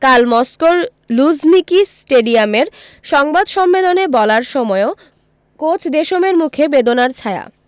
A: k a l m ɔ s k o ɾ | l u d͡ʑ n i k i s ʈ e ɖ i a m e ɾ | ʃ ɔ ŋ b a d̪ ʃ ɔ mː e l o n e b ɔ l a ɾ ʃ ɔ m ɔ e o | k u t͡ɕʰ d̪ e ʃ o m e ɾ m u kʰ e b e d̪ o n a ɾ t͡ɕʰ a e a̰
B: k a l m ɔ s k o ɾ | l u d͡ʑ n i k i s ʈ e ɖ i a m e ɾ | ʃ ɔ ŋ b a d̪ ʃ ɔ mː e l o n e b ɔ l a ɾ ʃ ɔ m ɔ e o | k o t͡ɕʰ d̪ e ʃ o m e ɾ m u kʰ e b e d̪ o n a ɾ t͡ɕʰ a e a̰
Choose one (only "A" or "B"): B